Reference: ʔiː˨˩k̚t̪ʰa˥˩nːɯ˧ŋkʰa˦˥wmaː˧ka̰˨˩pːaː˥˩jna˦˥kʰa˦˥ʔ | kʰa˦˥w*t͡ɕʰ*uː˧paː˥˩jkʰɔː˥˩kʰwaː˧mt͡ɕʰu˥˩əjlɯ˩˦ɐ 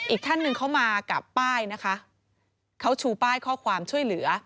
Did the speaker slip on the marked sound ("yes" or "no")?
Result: no